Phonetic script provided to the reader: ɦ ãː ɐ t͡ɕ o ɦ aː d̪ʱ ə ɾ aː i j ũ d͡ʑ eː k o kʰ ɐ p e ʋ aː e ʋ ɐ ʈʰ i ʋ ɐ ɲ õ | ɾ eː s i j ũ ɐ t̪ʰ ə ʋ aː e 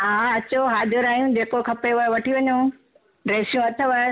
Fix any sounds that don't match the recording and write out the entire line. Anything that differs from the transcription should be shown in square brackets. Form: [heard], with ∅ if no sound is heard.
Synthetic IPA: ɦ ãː ɐ t͡ɕ o ɦ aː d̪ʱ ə ɾ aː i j ũ d͡ʑ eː k o kʰ ɐ p e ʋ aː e ʋ ɐ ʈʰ i ʋ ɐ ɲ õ | ɾ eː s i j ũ ɐ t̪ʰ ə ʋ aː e